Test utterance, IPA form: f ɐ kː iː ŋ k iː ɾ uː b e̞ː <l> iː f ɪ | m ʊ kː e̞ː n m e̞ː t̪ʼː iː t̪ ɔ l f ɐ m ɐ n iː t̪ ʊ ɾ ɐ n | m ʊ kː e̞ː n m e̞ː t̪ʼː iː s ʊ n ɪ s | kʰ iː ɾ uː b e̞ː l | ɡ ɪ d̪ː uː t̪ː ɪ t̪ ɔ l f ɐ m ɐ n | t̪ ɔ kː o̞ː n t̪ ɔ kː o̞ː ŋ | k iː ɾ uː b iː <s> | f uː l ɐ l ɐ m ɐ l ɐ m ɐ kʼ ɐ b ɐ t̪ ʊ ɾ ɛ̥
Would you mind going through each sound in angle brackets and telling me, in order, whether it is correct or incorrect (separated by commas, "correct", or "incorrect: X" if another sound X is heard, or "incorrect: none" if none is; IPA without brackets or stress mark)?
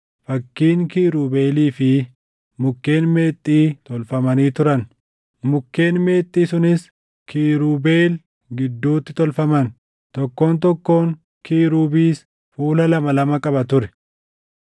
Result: correct, correct